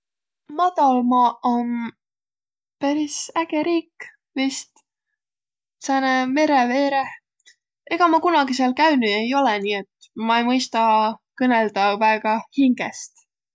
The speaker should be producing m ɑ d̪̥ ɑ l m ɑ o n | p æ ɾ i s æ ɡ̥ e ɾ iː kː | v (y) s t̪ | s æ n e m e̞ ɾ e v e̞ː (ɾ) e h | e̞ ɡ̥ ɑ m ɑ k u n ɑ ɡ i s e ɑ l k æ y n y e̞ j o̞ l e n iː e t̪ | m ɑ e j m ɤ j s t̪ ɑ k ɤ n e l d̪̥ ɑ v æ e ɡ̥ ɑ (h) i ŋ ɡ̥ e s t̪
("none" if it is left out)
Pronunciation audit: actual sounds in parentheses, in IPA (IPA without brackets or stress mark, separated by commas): i, ɾ, h